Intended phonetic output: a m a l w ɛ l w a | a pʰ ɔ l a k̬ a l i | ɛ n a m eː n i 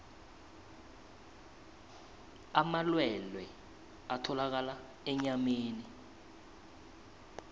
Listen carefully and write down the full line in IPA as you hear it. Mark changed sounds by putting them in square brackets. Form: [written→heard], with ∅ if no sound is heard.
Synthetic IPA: a m a l w ɛ l w [a→ɛ] | a [pʰ→tʰ] ɔ l a k̬ a l [i→a] | ɛ [n→ɲ] a m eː n i